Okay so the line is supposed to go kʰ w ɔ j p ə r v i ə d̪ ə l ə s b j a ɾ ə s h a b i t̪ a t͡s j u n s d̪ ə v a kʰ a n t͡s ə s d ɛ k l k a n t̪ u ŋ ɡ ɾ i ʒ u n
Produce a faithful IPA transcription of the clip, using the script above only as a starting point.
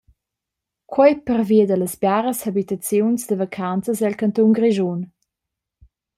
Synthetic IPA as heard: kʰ w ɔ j p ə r v i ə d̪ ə l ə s b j a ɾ ə s h a b i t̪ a t͡s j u n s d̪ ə v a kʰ a n t͡s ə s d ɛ l k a n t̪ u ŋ ɡ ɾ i ʒ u n